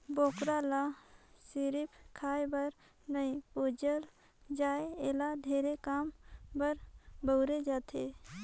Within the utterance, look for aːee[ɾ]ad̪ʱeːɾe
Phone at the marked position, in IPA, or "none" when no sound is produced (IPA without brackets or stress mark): l